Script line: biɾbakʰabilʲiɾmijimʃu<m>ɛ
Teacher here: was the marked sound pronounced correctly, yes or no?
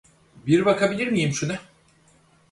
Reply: no